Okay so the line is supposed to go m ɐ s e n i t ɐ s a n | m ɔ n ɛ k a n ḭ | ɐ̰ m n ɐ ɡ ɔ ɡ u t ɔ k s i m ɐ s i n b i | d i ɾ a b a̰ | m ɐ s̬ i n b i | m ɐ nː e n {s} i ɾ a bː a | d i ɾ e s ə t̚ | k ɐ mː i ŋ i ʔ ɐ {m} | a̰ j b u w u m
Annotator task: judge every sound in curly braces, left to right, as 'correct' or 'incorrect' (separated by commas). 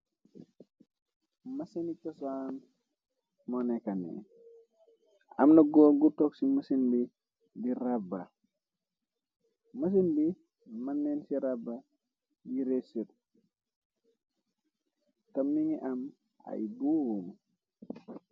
correct, correct